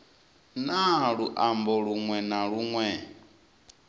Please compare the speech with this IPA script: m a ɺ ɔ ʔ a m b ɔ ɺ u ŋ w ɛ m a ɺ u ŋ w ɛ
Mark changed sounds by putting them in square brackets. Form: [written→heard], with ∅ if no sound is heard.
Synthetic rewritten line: [m→n] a ɺ [ɔ→u] ʔ a m b ɔ ɺ u ŋ w ɛ [m→n] a ɺ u ŋ w ɛ